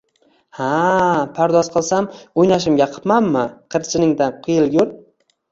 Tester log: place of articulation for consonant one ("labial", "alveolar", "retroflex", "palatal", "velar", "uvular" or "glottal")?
glottal